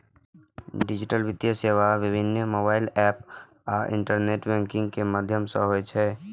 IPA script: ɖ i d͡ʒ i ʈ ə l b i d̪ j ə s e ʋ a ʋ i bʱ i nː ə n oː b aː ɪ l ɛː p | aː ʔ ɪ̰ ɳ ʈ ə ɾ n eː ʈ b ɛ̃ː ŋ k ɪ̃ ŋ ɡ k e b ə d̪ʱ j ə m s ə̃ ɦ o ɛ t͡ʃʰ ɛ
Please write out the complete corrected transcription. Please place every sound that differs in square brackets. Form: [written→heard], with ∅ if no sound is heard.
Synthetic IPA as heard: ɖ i d͡ʒ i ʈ ə l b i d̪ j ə s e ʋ a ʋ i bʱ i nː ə [n→m] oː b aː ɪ l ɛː p | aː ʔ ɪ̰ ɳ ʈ ə ɾ n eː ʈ b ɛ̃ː ŋ k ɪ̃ ŋ ɡ k e [b→m] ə d̪ʱ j ə m s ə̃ ɦ o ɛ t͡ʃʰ ɛ